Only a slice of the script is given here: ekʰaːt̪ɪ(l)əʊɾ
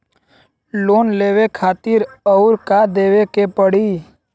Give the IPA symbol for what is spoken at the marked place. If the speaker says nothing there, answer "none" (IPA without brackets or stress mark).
ɾ